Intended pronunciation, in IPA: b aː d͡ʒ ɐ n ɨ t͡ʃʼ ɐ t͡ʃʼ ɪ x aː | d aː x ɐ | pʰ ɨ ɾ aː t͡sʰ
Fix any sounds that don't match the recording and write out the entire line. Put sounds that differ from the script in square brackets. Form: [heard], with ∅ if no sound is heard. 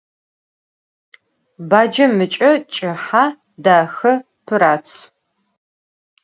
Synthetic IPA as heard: b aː d͡ʒ ɐ [m] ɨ t͡ʃʼ ɐ t͡ʃʼ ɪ [ħ] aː | d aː x ɐ | pʰ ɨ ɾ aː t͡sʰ